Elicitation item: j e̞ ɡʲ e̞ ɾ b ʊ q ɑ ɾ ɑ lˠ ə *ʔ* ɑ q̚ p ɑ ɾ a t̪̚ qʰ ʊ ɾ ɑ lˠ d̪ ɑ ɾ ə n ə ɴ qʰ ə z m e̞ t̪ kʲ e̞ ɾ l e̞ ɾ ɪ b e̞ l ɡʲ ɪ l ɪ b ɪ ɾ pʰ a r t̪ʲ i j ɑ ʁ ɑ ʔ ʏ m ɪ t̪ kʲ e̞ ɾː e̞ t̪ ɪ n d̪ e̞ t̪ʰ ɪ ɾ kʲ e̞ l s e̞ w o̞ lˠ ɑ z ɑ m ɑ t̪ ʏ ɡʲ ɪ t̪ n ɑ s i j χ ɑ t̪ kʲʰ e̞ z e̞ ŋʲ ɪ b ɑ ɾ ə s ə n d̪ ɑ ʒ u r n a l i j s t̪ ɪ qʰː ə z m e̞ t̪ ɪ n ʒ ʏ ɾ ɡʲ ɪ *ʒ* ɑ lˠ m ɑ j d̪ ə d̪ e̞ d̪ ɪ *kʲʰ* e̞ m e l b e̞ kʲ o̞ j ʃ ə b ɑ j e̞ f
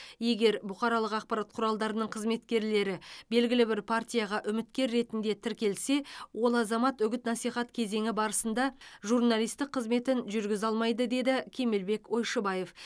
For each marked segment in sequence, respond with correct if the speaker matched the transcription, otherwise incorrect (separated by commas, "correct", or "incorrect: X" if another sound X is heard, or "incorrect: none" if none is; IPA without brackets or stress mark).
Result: incorrect: q, incorrect: z, correct